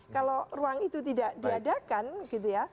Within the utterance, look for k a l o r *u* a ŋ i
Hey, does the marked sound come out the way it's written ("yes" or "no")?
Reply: yes